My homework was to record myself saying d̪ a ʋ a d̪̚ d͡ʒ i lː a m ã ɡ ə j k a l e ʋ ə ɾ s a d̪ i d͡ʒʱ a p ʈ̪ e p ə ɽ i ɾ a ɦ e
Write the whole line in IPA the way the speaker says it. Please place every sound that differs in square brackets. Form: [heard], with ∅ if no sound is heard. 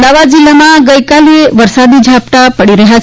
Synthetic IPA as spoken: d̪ a ʋ a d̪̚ d͡ʒ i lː a m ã ɡ ə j k a l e ʋ ə ɾ s a d̪ i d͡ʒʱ a p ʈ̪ [a] p ə ɽ i ɾ [ə] ɦ [a]